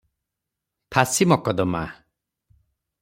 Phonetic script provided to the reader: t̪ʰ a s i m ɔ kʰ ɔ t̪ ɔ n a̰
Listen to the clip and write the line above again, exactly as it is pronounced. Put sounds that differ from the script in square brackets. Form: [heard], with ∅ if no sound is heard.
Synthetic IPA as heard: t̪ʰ a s i m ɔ [k] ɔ [d̪] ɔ [m] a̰